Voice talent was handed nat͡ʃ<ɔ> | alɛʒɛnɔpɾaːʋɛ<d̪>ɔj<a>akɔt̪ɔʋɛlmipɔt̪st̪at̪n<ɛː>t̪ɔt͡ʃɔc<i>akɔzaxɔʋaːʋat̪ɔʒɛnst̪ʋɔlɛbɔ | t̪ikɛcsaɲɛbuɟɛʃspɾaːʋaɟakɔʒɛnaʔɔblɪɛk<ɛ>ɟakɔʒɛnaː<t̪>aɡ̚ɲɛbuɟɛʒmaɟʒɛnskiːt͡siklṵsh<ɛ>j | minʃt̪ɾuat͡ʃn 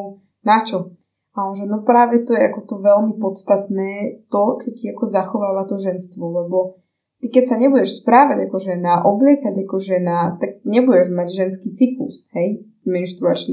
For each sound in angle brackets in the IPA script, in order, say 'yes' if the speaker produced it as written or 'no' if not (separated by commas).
yes, no, no, yes, yes, no, yes, yes